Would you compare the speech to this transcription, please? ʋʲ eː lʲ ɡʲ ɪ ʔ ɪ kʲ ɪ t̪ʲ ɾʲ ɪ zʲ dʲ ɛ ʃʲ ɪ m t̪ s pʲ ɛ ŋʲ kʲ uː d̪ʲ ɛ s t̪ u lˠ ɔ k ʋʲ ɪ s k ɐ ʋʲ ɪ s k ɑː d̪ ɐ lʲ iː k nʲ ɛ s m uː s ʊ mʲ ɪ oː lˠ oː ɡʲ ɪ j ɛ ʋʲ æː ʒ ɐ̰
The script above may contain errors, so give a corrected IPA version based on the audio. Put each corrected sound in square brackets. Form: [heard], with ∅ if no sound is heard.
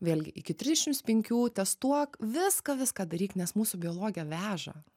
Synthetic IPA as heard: ʋʲ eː lʲ ɡʲ ɪ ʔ ɪ kʲ ɪ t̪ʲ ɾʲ ɪ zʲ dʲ ɛ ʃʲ ɪ m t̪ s pʲ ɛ ŋʲ kʲ uː [t̪ʲ] ɛ s t̪ u [∅] ɔ k ʋʲ ɪ s k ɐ ʋʲ ɪ s k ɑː d̪ ɐ [ɾʲ] iː k nʲ ɛ s m uː s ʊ [bʲ] ɪ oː lˠ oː ɡʲ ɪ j ɛ ʋʲ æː ʒ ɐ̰